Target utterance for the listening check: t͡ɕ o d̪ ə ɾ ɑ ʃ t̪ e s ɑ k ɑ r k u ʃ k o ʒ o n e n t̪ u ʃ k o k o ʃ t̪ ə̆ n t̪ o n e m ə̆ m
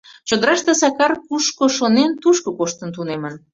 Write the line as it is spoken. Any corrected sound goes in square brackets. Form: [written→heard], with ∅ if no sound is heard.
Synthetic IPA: t͡ɕ o d̪ ə ɾ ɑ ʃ t̪ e s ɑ k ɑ r k u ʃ k o [ʒ→ʃ] o n e n t̪ u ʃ k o k o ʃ t̪ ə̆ n t̪ [o→u] n e m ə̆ [m→n]